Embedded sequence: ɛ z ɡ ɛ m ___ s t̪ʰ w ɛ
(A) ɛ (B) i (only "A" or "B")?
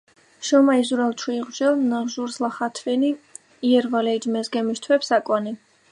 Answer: B